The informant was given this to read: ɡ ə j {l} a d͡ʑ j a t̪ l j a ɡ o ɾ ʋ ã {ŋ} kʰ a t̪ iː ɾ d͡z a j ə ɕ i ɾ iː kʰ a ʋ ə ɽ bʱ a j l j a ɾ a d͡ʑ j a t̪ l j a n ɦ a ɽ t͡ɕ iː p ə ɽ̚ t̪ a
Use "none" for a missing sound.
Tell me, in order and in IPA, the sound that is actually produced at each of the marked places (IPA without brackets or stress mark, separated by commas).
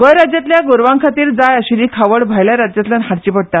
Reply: ɾ, ŋ